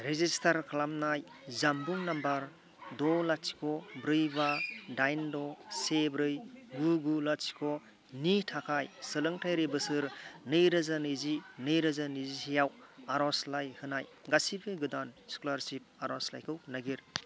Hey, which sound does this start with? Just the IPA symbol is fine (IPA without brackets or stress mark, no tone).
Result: ɾ